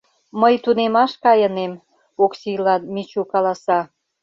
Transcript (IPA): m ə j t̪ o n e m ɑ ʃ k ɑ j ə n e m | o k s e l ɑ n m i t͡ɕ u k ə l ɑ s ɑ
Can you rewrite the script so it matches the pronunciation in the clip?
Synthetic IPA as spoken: m ə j t̪ u n e m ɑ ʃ k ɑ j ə n e m | o k s i l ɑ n m i t͡ɕ u k ɑ l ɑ s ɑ